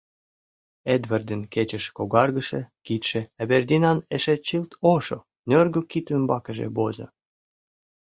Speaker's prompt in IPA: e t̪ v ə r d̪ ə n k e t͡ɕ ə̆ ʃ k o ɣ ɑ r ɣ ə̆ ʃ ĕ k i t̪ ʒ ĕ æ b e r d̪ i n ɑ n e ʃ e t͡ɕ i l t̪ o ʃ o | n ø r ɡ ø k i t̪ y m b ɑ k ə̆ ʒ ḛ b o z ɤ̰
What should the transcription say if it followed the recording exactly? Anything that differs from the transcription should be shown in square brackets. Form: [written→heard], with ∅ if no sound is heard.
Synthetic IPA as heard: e [t̪→d̪] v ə r d̪ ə n k e t͡ɕ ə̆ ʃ k o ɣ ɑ r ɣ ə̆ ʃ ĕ k i t̪ [ʒ→ʃ] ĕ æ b e r d̪ i n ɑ n e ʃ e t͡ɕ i l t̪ o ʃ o | n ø r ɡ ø k i t̪ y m b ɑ k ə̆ ʒ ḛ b o z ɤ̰

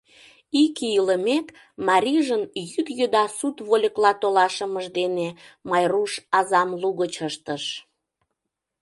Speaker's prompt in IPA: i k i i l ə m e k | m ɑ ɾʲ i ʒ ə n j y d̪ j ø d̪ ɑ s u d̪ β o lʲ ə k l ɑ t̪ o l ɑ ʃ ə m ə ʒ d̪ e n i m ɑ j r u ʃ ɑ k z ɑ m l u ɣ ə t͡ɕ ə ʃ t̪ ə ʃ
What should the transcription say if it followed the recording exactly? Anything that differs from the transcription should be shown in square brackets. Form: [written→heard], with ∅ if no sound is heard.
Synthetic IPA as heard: i k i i l ə m e k | m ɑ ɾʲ i ʒ ə n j y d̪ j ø d̪ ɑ s u [d̪→t̪] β o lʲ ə k l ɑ t̪ o l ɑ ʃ ə m ə ʒ d̪ e n [i→e] m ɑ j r u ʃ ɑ [k→∅] z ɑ m l u ɣ ə t͡ɕ ə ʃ t̪ ə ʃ

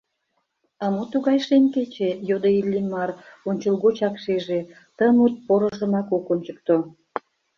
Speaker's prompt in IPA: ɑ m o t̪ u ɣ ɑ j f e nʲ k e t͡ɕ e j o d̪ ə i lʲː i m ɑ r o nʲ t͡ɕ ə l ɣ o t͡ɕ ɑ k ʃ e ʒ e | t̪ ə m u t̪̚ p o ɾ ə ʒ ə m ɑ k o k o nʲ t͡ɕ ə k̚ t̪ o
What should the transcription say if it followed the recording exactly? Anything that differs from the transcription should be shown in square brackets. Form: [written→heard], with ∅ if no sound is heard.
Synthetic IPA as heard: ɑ m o t̪ u ɣ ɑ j [f→ʃ] e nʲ k e t͡ɕ e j o d̪ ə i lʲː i m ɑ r o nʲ t͡ɕ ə l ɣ o t͡ɕ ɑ k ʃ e ʒ e | t̪ ə m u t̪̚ p o ɾ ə ʒ ə m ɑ k o k o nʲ t͡ɕ ə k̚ t̪ o

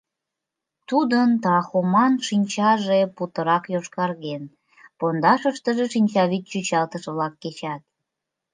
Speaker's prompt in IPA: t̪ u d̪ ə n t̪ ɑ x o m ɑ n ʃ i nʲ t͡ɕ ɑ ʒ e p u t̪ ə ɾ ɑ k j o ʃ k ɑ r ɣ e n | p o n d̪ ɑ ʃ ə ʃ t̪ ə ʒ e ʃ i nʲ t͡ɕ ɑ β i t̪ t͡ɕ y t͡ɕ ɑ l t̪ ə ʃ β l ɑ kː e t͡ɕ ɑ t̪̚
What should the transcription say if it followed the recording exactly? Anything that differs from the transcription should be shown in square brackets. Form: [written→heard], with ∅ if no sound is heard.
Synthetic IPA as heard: t̪ u d̪ ə n t̪ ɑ x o m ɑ n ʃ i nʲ t͡ɕ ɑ ʒ e p u t̪ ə ɾ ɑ k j o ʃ k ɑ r ɣ e n | p o n d̪ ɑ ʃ ə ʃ t̪ ə ʒ e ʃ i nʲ t͡ɕ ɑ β i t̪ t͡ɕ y t͡ɕ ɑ l t̪ ə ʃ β l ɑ kː e t͡ɕ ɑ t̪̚

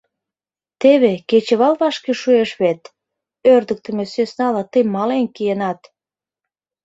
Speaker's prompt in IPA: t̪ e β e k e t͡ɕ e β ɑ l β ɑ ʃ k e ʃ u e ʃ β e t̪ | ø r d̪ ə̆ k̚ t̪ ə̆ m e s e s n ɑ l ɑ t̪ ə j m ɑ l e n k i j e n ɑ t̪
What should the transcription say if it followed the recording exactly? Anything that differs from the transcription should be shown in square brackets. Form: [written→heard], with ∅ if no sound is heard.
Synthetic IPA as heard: t̪ e β e k e t͡ɕ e β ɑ l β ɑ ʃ k e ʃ u e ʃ β e t̪ | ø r d̪ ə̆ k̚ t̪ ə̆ m e s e s n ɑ l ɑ t̪ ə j m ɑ l e n k i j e n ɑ t̪

